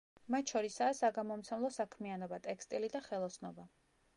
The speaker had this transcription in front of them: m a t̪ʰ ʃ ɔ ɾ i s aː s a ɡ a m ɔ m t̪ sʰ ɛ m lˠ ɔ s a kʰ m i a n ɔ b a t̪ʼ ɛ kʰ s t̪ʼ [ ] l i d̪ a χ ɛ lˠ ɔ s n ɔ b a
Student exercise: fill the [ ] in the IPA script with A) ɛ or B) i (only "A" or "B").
B